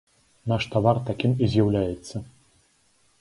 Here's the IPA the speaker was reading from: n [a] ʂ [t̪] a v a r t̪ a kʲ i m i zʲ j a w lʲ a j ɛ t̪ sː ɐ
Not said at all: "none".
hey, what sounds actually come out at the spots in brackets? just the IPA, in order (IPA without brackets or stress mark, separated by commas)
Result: a, t̪